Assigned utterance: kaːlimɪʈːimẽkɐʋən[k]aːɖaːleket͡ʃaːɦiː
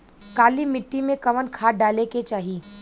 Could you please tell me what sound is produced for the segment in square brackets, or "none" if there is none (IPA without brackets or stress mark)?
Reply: kʰ